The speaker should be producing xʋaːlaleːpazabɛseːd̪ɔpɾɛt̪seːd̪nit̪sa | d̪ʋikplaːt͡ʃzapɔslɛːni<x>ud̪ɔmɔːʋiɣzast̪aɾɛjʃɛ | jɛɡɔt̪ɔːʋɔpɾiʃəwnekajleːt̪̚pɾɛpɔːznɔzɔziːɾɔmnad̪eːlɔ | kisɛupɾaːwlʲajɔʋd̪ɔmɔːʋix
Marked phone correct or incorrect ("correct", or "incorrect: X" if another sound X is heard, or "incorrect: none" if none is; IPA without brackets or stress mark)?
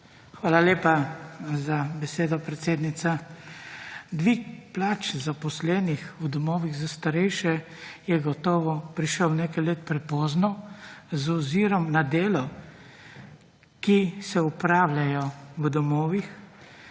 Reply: correct